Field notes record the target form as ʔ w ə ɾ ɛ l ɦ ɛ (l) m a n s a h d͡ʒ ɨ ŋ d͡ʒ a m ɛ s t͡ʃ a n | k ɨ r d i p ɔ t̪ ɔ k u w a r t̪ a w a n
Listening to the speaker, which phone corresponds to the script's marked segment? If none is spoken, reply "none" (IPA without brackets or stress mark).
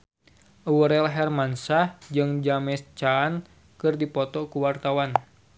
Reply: r